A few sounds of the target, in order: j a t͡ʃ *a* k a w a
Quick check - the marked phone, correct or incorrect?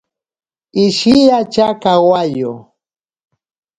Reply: correct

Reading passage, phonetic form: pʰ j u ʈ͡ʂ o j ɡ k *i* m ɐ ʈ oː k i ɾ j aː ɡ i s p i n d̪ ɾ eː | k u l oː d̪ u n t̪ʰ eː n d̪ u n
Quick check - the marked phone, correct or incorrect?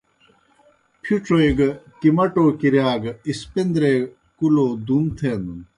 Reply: correct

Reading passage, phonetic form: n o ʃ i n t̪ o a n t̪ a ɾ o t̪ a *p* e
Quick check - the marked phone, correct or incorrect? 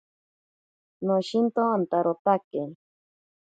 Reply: incorrect: k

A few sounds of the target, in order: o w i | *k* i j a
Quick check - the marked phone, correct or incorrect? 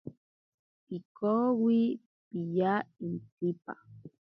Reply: incorrect: p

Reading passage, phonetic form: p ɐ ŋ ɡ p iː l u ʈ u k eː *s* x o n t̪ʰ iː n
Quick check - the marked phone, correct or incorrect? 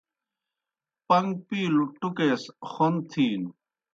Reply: correct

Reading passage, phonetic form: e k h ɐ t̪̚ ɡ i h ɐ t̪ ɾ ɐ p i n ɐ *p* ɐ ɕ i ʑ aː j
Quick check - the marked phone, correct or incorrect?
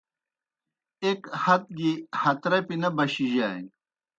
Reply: incorrect: b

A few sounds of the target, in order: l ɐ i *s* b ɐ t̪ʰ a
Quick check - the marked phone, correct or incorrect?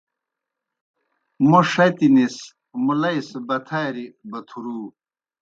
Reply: correct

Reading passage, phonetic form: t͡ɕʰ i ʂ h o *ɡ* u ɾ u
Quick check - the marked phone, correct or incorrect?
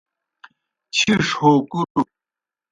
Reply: incorrect: k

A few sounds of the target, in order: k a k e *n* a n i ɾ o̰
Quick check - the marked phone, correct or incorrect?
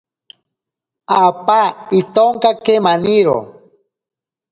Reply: incorrect: m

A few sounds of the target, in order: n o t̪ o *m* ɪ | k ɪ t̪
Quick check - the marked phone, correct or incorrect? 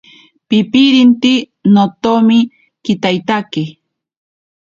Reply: correct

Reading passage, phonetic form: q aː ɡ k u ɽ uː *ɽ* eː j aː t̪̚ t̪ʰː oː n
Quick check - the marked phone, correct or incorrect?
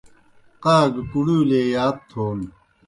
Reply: incorrect: l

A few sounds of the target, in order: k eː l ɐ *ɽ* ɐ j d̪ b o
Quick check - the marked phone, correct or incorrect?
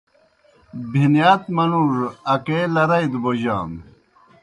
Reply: incorrect: ɾ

